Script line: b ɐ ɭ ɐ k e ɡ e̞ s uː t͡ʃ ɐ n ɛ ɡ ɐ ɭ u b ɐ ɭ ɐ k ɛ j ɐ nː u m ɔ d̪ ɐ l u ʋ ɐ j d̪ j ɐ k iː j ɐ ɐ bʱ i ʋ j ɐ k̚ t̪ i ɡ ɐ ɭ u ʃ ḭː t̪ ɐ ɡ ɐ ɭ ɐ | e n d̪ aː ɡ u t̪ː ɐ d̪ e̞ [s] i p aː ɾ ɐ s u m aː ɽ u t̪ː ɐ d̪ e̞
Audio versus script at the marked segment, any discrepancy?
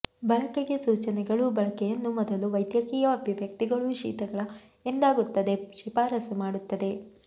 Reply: yes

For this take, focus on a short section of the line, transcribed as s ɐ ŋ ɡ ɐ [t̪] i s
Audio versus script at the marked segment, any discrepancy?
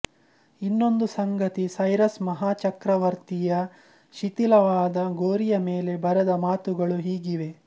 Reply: no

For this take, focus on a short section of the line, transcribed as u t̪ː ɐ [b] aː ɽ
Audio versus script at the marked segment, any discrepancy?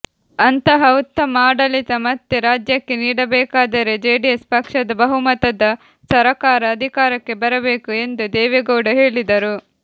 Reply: yes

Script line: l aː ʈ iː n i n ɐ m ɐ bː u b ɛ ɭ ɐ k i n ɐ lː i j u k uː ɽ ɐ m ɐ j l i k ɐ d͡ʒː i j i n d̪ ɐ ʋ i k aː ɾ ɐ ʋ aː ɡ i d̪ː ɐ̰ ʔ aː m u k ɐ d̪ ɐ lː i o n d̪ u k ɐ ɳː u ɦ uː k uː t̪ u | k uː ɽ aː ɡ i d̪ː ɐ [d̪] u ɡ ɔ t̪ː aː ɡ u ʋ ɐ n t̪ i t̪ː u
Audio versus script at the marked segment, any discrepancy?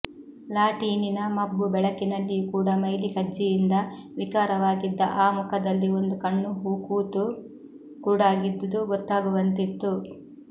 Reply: no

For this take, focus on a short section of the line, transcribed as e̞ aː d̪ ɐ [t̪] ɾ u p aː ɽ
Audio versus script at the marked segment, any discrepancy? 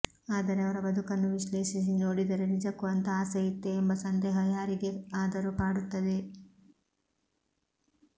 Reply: yes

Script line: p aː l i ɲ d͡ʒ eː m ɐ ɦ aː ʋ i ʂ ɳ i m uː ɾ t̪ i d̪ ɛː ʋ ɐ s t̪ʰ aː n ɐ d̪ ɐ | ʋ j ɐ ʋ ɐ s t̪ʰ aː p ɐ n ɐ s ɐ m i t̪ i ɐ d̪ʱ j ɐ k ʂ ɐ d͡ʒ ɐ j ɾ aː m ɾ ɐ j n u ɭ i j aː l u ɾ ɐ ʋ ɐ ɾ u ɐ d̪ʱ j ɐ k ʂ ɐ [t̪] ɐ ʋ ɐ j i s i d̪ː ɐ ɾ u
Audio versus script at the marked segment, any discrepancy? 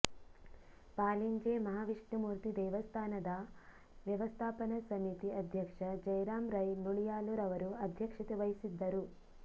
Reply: no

